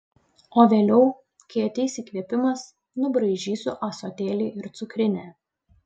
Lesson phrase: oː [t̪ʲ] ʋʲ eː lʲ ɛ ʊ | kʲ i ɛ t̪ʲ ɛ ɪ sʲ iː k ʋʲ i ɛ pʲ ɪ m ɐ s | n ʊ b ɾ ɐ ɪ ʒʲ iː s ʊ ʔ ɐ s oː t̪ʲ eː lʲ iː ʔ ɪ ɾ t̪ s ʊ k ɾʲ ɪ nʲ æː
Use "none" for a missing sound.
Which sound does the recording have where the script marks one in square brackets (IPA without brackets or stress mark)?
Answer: none